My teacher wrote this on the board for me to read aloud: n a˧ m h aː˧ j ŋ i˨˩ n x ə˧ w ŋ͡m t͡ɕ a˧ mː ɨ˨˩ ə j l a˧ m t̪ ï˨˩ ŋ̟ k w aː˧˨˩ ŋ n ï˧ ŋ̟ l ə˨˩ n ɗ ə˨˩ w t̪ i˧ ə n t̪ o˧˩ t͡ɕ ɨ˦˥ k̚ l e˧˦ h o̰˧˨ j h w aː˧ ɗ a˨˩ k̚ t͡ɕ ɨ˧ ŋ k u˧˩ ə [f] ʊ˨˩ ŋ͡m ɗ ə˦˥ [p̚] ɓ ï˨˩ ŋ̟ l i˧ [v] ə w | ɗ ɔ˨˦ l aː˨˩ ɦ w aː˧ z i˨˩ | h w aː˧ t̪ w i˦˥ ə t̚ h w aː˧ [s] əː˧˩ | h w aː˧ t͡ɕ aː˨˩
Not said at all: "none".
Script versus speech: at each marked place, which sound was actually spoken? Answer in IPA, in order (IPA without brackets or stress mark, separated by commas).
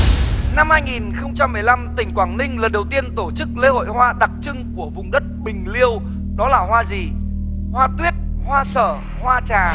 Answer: v, t̚, none, s